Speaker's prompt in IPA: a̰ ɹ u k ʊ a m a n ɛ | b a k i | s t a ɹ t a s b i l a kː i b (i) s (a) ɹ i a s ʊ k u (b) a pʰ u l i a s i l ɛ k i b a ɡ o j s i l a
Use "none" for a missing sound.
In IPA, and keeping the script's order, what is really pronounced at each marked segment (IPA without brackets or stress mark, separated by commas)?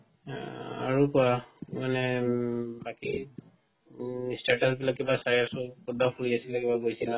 a, a, d